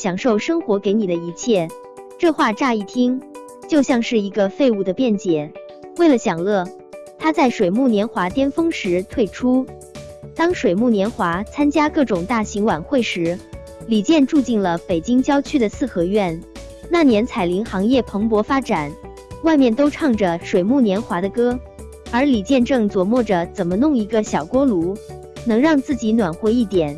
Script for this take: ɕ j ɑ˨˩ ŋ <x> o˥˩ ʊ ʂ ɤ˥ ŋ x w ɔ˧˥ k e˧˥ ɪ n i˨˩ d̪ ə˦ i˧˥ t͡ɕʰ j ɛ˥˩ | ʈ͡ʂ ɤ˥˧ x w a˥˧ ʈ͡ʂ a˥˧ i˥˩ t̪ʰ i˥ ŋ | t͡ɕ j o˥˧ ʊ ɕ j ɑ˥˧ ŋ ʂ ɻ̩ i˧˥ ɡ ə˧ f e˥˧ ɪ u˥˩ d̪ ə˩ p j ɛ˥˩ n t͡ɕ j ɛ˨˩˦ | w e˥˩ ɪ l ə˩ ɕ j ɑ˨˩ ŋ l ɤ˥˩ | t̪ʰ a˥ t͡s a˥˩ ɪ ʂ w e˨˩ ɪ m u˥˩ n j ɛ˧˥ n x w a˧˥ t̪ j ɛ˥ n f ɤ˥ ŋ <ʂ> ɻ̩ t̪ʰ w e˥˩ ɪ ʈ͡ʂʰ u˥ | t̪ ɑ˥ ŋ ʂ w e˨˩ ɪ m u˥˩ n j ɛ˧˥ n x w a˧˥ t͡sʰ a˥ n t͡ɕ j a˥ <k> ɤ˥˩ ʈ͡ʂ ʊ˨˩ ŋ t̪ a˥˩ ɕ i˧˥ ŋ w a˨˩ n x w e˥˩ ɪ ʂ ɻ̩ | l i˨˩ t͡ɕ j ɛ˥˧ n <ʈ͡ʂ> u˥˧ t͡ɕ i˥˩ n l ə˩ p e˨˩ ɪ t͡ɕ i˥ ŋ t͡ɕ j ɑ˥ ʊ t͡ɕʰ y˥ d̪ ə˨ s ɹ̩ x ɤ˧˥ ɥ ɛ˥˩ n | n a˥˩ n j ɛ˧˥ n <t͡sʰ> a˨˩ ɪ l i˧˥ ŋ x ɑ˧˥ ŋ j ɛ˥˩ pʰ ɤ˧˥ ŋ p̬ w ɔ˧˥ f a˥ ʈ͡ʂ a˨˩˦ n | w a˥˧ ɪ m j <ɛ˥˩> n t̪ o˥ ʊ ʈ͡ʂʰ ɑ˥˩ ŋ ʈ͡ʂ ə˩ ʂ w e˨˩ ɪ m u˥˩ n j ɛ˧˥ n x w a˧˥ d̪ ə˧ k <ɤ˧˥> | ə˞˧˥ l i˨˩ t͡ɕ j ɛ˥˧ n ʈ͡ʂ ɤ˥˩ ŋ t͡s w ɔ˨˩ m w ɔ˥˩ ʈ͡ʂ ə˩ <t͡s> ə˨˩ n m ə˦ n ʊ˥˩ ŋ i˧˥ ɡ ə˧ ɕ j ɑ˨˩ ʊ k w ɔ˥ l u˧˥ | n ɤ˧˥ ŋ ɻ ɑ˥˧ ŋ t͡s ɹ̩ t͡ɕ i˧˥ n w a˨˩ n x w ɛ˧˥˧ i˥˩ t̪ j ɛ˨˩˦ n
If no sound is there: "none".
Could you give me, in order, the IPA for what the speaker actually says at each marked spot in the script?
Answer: ʂ, ʂ, k, ʈ͡ʂ, t͡sʰ, ɛ˥˩, ɤ˥, t͡s

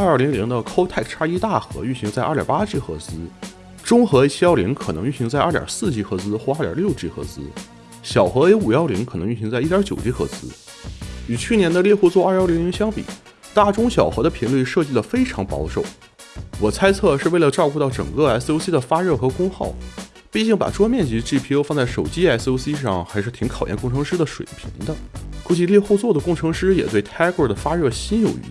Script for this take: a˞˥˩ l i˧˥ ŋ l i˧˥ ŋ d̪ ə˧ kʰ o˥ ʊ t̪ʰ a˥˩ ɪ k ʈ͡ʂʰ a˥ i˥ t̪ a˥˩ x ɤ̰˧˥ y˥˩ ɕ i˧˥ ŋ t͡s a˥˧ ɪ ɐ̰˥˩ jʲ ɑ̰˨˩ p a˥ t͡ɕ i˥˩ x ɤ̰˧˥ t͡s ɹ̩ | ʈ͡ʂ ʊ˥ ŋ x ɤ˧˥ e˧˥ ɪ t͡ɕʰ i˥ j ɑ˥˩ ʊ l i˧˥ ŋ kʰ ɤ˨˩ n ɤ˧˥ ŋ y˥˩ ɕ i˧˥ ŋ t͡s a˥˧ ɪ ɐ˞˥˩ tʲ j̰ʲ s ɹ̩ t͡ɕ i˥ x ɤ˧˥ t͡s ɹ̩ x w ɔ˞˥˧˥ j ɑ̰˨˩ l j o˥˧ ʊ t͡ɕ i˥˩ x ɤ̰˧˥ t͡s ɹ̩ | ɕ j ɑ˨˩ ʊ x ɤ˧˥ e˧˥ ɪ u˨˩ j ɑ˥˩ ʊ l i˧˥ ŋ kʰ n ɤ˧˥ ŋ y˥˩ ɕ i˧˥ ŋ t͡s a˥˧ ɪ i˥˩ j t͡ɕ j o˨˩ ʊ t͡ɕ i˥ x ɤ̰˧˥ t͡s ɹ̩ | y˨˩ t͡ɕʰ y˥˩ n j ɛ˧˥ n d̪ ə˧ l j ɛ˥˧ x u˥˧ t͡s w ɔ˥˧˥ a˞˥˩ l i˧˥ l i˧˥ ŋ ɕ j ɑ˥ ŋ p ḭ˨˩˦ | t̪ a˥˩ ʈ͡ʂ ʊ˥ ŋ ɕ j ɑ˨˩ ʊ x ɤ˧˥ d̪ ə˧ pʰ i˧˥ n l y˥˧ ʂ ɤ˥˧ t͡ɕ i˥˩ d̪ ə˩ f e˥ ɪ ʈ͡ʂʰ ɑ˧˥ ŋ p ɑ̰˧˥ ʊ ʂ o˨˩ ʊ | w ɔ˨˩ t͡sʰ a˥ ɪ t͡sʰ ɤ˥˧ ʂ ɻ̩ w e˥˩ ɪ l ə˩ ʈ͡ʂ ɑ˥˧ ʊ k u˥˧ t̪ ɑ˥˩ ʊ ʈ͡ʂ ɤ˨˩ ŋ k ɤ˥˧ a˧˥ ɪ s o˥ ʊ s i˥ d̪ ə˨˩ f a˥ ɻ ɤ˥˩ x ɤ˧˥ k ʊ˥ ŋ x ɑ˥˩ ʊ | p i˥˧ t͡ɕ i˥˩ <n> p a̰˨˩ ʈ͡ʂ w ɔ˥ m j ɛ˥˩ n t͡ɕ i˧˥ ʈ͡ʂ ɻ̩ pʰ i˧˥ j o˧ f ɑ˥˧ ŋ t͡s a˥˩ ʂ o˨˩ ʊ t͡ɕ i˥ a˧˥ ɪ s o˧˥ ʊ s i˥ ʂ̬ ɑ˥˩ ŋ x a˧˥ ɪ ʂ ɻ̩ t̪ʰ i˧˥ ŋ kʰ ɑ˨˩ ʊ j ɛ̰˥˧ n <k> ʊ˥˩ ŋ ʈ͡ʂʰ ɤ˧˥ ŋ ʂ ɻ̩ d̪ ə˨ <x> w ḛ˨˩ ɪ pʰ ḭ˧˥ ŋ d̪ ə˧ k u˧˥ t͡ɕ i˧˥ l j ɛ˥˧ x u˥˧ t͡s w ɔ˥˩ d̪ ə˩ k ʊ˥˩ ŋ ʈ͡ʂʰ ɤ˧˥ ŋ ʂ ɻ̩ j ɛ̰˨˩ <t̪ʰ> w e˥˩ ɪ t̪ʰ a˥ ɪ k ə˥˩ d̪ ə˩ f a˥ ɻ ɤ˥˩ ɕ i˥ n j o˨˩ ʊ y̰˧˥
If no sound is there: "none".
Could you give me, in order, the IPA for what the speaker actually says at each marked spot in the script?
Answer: ŋ, k, ʂ, t̪

